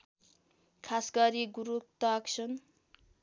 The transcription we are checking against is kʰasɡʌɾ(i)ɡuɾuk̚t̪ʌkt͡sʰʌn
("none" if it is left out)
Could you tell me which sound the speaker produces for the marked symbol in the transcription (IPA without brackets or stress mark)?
i